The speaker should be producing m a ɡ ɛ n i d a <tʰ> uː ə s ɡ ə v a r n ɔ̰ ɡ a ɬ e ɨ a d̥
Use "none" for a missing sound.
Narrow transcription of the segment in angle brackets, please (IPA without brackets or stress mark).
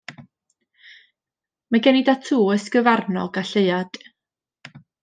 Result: tʰ